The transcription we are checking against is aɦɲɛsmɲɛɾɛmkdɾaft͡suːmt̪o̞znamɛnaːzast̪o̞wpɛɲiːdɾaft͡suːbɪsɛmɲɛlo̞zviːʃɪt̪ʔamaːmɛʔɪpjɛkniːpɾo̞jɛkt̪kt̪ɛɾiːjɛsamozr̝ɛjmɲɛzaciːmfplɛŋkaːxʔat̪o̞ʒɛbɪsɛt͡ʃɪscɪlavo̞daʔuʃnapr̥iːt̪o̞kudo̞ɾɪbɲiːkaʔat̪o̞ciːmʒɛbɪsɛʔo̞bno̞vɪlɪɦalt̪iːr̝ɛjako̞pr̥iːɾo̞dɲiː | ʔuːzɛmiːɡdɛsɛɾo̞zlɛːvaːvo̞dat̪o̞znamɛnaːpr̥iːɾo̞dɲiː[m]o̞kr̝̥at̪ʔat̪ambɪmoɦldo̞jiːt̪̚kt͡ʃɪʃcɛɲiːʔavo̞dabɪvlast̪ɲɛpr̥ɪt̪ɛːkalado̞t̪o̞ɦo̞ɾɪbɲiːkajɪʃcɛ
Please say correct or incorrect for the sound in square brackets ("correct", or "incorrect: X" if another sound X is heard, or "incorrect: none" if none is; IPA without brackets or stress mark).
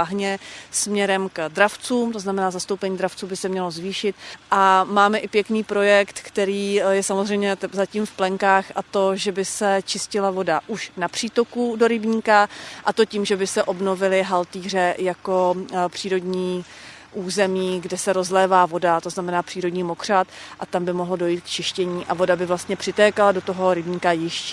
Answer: correct